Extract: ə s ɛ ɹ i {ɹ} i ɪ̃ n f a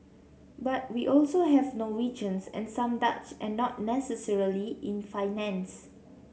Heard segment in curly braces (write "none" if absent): l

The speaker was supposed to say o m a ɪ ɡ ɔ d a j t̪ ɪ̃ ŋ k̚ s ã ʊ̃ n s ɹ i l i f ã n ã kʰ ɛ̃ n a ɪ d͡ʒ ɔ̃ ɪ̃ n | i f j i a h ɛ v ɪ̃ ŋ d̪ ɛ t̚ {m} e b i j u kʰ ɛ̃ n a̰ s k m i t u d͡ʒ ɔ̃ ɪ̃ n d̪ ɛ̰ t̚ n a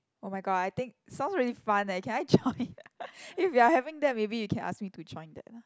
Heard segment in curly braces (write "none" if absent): m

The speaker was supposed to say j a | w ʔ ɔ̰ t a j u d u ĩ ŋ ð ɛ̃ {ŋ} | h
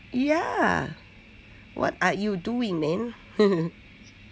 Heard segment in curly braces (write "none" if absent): n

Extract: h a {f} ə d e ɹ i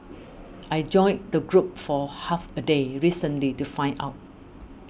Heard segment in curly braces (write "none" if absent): f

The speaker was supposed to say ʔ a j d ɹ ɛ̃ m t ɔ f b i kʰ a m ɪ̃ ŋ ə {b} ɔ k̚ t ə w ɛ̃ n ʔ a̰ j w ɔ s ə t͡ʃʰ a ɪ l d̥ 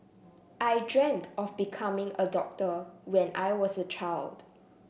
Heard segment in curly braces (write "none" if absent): d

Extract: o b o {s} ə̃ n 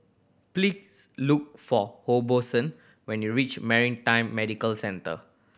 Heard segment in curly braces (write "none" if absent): s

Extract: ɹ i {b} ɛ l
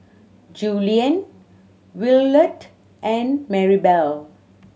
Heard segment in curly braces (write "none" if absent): b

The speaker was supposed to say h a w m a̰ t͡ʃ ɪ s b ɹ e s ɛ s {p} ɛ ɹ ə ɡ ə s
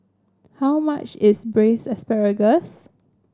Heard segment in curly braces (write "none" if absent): p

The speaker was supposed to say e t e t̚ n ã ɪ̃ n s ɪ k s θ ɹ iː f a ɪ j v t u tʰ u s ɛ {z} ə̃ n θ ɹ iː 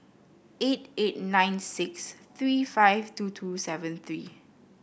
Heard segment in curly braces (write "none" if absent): v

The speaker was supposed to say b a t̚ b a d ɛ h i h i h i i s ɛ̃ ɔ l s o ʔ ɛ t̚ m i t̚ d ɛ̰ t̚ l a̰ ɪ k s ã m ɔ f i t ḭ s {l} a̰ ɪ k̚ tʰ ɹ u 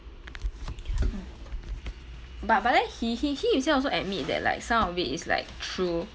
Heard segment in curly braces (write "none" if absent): l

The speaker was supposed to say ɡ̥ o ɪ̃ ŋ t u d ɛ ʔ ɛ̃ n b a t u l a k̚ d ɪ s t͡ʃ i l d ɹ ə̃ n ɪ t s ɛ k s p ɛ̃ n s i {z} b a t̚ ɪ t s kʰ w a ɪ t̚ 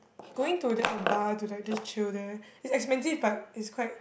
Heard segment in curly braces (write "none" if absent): v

